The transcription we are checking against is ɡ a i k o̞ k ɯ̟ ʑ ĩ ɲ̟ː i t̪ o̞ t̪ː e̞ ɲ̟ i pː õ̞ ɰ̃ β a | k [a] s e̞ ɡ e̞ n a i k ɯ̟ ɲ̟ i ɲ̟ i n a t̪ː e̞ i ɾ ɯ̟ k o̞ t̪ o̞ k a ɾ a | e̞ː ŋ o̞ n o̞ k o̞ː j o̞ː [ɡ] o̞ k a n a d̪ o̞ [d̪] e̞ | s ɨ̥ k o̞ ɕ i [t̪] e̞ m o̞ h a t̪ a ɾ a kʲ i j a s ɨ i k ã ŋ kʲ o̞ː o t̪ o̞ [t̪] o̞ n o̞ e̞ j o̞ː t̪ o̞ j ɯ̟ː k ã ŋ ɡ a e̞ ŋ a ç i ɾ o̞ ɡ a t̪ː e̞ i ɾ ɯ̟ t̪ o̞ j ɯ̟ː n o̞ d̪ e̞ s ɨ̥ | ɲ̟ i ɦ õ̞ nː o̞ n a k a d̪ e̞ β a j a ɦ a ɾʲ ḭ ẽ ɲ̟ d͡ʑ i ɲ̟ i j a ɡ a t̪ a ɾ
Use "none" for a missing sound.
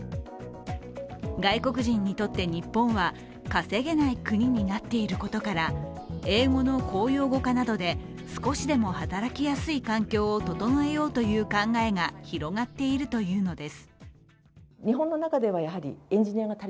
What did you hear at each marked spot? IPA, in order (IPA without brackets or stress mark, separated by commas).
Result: a, ɡ, d̪, d̪, t̪